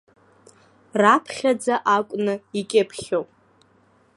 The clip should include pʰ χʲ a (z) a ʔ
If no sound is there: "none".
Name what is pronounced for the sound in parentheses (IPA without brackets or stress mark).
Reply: d͡z